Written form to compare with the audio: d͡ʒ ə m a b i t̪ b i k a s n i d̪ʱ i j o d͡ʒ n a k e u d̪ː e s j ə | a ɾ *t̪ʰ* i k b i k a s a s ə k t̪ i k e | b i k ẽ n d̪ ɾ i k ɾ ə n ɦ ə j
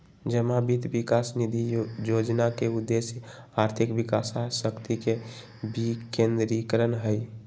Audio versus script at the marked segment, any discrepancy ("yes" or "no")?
no